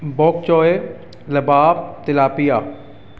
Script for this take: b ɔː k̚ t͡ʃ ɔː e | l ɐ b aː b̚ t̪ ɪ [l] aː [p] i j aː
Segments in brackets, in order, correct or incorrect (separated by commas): correct, correct